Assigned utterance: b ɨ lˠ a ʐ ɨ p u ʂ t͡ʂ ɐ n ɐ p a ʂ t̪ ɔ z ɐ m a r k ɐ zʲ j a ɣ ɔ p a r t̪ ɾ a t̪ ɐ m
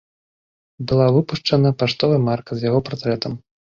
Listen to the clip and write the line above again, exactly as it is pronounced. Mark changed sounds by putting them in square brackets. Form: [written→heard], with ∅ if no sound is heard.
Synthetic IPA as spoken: b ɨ lˠ a [ʐ→v] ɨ p u ʂ t͡ʂ ɐ n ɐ p a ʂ t̪ ɔ [z→v] ɐ m a r k ɐ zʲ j a ɣ ɔ p a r t̪ ɾ [a→ɛ] t̪ ɐ m